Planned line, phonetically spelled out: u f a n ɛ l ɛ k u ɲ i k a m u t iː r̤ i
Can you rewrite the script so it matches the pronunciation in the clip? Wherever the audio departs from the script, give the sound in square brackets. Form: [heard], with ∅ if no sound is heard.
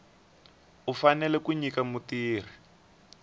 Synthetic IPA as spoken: u f a n ɛ l ɛ k u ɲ i k a m u t iː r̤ i